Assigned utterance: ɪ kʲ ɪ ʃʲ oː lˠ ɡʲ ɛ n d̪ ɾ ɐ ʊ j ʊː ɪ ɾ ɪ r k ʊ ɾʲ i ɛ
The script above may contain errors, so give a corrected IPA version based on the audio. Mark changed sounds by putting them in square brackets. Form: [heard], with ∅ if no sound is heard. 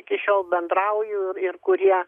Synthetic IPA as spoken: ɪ kʲ ɪ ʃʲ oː lˠ [bʲ] ɛ n d̪ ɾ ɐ ʊ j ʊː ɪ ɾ ɪ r k ʊ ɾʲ i ɛ